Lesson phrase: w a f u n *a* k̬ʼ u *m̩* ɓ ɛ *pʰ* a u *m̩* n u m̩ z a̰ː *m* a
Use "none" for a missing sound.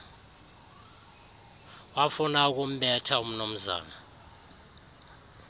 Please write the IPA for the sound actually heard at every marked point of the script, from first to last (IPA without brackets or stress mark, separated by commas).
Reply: a, m̩, tʰ, m̩, n